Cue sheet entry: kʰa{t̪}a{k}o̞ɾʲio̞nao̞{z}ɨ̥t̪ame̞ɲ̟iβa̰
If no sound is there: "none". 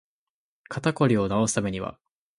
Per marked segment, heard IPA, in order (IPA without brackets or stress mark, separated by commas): t̪, k, s